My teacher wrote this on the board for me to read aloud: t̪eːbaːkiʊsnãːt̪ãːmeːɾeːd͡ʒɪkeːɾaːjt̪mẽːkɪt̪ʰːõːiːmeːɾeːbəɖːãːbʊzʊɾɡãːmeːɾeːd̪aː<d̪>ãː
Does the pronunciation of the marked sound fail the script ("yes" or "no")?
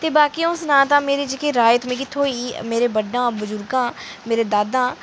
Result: no